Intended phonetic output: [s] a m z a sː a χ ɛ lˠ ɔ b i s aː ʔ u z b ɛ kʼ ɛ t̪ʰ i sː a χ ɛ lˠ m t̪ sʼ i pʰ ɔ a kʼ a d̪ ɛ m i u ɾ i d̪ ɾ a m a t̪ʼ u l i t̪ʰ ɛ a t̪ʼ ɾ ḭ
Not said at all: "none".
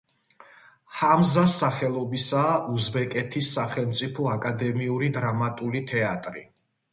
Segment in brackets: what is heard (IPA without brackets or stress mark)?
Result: h